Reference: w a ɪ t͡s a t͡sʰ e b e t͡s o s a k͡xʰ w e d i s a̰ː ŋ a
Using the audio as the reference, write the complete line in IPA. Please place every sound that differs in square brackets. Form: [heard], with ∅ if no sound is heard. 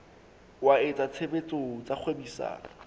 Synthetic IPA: w a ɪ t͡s a t͡sʰ e b e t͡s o [t͡s] a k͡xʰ w e [b] i s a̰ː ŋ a